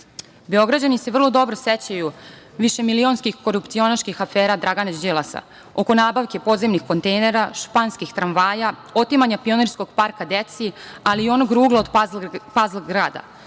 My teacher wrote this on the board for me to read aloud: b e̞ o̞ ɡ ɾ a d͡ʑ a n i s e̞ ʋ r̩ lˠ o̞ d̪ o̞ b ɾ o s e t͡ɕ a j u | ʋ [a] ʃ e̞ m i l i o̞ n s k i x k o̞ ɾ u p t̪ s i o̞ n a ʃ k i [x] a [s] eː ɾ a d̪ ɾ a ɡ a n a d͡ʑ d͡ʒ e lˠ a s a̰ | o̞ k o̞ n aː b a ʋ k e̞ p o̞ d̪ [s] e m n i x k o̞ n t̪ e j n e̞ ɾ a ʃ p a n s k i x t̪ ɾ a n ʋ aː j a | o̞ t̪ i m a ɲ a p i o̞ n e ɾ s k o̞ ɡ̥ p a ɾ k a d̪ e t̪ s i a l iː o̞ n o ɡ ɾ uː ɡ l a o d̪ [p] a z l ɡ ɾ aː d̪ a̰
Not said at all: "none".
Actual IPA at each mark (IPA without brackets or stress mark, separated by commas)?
i, x, f, z, p